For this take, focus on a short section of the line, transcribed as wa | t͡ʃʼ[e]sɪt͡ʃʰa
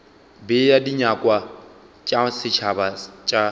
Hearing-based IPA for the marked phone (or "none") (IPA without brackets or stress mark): a